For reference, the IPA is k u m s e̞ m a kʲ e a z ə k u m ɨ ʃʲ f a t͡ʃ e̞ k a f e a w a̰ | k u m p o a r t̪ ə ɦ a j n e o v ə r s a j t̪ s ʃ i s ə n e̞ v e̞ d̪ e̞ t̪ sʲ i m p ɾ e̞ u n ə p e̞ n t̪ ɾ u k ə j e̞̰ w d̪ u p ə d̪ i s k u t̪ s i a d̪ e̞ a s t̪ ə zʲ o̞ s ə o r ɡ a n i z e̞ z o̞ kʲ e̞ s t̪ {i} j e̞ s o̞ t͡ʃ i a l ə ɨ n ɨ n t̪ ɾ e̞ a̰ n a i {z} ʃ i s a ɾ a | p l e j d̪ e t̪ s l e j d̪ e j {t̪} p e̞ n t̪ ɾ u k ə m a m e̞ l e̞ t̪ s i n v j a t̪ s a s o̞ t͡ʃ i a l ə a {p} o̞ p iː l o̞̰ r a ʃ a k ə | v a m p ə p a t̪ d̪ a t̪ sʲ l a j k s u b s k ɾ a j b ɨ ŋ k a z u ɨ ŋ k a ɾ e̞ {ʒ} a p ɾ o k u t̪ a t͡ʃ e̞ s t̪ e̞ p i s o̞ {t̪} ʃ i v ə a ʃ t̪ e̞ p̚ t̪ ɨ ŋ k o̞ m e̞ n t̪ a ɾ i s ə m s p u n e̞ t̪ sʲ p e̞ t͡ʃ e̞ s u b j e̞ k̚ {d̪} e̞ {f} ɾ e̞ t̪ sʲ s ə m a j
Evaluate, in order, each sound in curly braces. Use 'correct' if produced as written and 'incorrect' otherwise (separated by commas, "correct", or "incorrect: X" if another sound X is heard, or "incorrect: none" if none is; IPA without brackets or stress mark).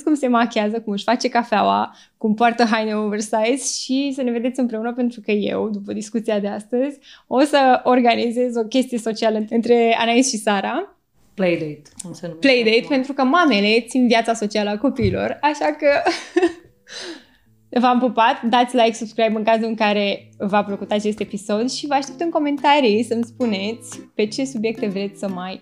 correct, incorrect: s, correct, incorrect: k, incorrect: v, incorrect: d̪, incorrect: t̪, incorrect: v